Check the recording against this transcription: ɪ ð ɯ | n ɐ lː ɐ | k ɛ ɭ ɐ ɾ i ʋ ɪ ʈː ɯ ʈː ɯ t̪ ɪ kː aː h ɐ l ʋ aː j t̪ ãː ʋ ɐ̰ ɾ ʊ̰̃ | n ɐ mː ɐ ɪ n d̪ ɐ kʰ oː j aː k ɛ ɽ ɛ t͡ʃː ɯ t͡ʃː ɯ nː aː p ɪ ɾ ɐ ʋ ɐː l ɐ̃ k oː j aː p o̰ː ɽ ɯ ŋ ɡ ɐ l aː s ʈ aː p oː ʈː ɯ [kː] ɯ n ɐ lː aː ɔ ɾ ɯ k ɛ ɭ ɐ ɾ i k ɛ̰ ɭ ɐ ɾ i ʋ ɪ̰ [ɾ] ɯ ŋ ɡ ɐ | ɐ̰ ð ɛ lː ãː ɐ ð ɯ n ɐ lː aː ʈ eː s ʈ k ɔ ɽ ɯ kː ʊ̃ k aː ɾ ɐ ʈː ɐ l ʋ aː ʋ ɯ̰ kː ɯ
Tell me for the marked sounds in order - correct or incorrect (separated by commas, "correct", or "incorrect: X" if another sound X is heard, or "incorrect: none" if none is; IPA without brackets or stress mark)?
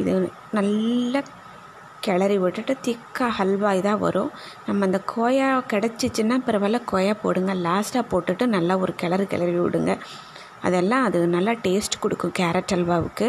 incorrect: ʈː, incorrect: ɽ